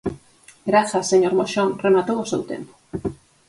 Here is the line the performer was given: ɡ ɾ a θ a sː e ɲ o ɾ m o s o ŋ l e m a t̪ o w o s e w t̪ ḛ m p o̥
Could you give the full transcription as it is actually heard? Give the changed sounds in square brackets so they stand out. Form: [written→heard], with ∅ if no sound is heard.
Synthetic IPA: ɡ ɾ a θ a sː e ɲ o ɾ m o [s→ʃ] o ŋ [l→r] e m a t̪ o w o s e w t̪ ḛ m p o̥